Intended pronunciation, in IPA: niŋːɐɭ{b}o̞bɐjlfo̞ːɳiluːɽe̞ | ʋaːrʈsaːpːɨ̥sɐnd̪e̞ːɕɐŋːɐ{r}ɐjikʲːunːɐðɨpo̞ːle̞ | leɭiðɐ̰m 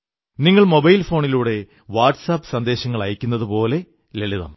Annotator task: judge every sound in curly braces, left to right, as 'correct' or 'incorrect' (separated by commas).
incorrect, incorrect